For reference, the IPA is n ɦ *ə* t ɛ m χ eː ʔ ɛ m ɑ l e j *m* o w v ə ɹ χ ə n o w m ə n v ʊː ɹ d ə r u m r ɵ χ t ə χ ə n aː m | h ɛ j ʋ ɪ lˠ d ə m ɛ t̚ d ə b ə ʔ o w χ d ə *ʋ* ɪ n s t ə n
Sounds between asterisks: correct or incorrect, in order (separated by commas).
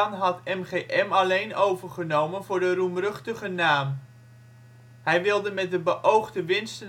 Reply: incorrect, incorrect, correct